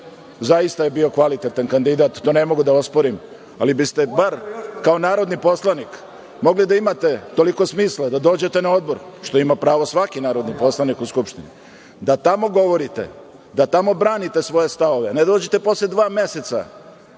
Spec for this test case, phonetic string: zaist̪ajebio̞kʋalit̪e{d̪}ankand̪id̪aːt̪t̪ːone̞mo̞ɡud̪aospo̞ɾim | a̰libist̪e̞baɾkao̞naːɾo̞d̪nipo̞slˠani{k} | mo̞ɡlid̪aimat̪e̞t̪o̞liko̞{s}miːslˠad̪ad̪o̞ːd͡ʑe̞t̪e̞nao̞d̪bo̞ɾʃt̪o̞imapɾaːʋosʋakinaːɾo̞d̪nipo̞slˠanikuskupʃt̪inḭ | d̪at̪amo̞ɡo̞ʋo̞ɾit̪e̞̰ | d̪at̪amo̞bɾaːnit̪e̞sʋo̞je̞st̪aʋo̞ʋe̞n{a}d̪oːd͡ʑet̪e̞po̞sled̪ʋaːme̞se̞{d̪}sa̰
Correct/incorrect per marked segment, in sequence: incorrect: t̪, correct, correct, incorrect: e, incorrect: t̪

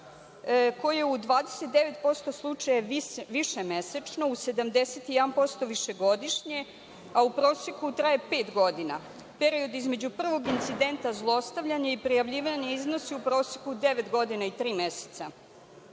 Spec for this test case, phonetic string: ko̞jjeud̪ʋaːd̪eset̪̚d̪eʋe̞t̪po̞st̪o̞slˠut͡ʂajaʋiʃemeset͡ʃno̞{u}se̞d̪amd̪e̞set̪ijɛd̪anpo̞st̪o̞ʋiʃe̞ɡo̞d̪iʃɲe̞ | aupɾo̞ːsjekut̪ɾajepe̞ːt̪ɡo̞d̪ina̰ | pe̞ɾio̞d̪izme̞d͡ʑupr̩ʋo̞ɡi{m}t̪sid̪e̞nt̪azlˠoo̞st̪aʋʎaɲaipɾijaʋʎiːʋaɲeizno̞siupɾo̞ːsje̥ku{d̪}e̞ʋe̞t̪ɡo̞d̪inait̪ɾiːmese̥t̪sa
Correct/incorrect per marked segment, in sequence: correct, incorrect: n, correct

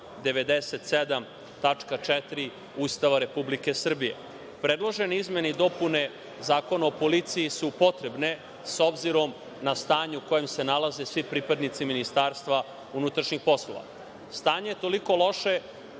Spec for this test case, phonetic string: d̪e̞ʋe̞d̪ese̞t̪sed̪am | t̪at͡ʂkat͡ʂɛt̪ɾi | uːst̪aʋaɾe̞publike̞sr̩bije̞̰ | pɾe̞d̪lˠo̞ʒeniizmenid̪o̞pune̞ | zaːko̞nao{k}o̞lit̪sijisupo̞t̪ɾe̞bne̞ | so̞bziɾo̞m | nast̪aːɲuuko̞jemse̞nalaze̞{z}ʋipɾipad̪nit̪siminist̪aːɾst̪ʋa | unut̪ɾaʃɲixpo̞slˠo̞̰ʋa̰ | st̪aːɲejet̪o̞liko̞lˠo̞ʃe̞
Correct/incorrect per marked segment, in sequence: incorrect: p, incorrect: s

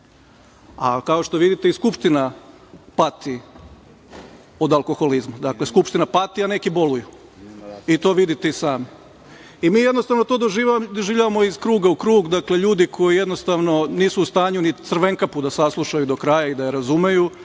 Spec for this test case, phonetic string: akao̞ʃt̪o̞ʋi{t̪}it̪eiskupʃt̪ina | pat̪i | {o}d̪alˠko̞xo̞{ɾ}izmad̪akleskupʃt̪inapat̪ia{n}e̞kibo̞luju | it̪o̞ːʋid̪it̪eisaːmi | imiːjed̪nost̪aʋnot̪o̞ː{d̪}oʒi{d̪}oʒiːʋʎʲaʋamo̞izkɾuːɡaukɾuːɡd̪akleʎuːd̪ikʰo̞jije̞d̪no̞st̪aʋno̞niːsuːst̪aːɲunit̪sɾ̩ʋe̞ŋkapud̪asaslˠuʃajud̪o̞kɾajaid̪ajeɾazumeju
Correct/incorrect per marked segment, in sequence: incorrect: d̪, correct, incorrect: l, correct, correct, correct

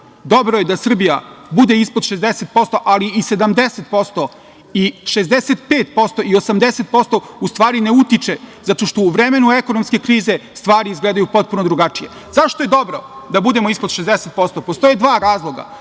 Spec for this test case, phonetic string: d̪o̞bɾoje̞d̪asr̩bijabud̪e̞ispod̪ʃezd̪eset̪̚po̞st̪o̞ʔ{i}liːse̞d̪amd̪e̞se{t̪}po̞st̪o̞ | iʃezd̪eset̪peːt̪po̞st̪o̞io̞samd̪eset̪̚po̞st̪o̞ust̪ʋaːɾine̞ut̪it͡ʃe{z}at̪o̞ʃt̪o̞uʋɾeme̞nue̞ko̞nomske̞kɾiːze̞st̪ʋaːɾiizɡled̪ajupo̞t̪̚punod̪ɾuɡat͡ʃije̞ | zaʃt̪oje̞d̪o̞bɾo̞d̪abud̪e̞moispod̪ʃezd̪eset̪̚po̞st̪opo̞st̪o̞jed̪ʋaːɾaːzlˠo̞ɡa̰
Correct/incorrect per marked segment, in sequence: incorrect: a, correct, correct

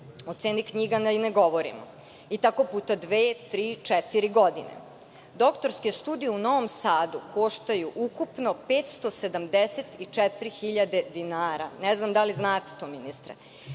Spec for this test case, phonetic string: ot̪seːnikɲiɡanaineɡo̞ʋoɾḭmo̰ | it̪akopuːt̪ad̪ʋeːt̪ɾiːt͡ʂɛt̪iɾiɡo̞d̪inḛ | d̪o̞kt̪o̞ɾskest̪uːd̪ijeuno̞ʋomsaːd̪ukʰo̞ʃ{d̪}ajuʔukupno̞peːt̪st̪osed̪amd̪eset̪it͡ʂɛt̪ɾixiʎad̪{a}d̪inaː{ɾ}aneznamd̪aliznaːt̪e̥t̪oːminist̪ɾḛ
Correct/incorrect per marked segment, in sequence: incorrect: t̪, incorrect: e, correct

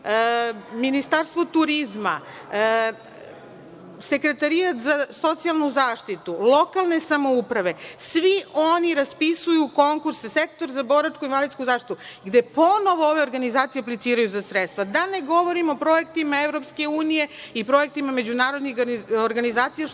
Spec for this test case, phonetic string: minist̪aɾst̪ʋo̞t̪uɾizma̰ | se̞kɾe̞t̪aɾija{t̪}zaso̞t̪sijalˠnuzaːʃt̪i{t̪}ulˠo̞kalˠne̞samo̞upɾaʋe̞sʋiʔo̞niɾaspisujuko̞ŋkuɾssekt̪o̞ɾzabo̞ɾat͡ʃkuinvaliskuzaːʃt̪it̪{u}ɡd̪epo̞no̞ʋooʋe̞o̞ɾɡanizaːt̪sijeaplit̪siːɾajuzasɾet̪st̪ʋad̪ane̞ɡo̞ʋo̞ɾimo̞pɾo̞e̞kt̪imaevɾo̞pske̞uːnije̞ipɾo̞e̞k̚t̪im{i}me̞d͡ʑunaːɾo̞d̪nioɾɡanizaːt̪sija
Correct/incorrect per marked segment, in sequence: correct, correct, correct, incorrect: a

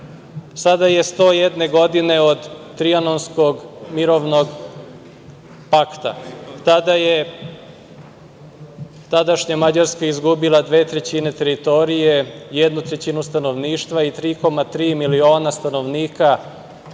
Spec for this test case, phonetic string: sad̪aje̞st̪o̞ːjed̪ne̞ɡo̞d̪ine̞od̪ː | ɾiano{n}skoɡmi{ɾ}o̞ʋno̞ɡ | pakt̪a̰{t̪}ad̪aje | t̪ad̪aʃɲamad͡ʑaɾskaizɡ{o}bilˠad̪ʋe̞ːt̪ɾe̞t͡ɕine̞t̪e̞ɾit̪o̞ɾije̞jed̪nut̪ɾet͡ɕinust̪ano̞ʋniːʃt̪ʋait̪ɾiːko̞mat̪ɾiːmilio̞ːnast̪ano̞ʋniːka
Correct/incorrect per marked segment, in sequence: correct, correct, correct, incorrect: u

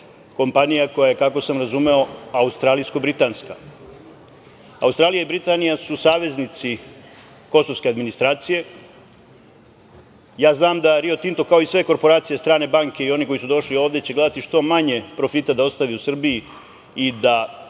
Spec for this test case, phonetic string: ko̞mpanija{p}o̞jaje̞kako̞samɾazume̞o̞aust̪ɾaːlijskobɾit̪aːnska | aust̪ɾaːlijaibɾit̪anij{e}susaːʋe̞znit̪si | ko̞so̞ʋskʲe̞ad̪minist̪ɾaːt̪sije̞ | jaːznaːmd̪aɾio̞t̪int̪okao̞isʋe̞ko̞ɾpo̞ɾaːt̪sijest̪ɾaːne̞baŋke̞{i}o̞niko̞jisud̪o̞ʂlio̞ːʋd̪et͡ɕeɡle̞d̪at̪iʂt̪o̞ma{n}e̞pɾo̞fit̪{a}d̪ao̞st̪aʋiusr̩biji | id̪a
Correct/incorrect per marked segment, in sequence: incorrect: k, incorrect: a, correct, incorrect: ɲ, correct

